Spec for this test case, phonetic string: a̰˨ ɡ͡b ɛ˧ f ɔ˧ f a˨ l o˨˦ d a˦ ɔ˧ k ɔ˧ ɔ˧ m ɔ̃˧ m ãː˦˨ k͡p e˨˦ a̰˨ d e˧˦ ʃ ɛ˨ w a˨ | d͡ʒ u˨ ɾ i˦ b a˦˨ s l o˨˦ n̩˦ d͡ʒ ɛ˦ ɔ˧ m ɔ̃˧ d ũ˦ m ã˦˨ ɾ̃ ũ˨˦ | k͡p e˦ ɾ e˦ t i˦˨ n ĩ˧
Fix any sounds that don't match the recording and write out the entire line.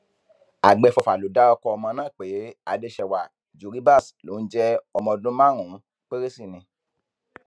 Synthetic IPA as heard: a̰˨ ɡ͡b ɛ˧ f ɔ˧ f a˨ l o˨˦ d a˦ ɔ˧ k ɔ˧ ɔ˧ m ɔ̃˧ n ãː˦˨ k͡p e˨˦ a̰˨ d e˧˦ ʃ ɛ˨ w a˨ | d͡ʒ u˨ ɾ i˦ b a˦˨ s l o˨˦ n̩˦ d͡ʒ ɛ˦ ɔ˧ m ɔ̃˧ d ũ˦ m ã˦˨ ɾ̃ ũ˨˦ | k͡p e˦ ɾ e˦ s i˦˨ n ĩ˧